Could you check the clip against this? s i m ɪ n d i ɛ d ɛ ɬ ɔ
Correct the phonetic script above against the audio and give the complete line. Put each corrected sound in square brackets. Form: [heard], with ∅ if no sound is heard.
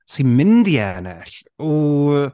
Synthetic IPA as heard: s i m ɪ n d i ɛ [n] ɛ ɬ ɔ